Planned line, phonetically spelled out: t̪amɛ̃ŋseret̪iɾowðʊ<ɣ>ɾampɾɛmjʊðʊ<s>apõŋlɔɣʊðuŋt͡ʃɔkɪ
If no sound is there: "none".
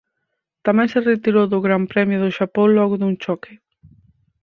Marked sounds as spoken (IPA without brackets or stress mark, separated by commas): ɣ, ʃ